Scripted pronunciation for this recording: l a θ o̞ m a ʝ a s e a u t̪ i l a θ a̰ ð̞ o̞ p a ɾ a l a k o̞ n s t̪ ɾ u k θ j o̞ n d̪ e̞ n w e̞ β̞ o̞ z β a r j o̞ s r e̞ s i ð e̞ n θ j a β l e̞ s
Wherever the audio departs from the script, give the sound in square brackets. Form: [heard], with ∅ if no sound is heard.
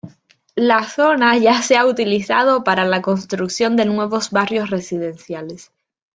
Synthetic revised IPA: l a θ o̞ [n] a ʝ a s e a u t̪ i l [i] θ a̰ ð̞ o̞ p a ɾ a l a k o̞ n s t̪ ɾ u k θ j o̞ n d̪ e̞ n w e̞ β̞ o̞ z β a r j o̞ s r e̞ s i ð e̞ n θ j a [∅] l e̞ s